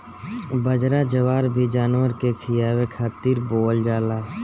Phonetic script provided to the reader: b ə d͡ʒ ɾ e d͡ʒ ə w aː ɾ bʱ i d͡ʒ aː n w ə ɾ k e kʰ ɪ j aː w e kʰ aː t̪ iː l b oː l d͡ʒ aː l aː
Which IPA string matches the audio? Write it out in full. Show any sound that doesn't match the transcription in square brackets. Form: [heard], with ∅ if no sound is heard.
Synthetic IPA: b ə d͡ʒ ɾ [a] d͡ʒ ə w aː ɾ bʱ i d͡ʒ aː n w ə ɾ k e kʰ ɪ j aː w e kʰ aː t̪ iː [ɾ] b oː l d͡ʒ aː l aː